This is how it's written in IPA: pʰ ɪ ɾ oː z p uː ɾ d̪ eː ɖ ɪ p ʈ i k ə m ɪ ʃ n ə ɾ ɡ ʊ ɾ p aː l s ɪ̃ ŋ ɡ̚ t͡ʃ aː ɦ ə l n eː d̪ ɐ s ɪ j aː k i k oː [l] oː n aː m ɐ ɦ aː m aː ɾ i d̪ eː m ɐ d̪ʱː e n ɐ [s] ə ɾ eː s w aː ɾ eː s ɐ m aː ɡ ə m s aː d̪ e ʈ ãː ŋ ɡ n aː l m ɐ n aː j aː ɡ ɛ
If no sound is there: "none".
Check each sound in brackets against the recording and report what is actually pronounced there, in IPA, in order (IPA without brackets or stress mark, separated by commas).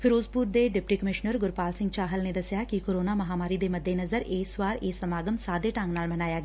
ɾ, z